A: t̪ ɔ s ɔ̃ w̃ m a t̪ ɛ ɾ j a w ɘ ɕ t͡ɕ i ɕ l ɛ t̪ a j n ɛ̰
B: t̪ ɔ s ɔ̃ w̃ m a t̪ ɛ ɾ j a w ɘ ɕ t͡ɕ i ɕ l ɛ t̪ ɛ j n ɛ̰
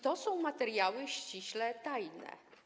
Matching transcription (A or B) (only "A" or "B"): A